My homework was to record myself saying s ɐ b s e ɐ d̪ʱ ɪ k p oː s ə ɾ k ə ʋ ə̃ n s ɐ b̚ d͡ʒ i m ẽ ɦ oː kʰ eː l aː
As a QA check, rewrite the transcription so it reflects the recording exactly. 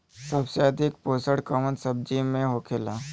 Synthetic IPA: s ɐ b s e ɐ d̪ʱ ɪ k p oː s ə ɽ k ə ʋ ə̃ n s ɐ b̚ d͡ʒ i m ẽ ɦ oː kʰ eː l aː